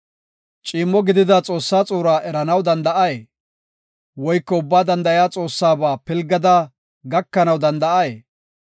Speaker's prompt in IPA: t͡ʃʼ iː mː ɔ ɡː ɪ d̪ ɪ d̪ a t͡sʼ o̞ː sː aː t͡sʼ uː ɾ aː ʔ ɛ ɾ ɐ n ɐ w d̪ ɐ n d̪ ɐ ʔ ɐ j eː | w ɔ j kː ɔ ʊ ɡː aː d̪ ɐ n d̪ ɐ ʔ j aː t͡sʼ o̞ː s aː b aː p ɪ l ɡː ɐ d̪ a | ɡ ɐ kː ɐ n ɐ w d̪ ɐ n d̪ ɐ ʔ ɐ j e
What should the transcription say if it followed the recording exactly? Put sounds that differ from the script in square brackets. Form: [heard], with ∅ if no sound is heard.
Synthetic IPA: t͡ʃʼ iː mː ɔ [ɡ] ɪ d̪ ɪ d̪ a t͡sʼ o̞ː sː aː t͡sʼ uː ɾ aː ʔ ɛ ɾ ɐ n ɐ w d̪ ɐ n d̪ ɐ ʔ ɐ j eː | w ɔ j kː ɔ ʊ [bː] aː d̪ ɐ n d̪ ɐ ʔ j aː t͡sʼ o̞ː [sː] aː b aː p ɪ l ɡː ɐ d̪ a | ɡ ɐ kː ɐ n ɐ w d̪ ɐ n d̪ ɐ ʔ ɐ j e

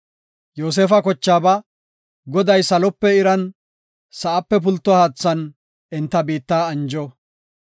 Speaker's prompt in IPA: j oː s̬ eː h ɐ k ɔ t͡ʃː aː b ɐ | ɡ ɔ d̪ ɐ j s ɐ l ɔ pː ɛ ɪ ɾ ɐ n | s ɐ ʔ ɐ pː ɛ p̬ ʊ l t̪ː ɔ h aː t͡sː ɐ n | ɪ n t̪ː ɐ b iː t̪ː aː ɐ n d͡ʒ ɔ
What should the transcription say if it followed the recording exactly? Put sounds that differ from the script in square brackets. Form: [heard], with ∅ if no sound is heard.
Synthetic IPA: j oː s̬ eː [f] ɐ k ɔ t͡ʃː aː b ɐ | ɡ ɔ d̪ ɐ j s ɐ l ɔ pː ɛ ɪ ɾ ɐ n | s ɐ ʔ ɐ pː ɛ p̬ ʊ l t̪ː ɔ h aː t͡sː ɐ n | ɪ n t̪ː ɐ b iː t̪ː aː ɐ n d͡ʒ ɔ

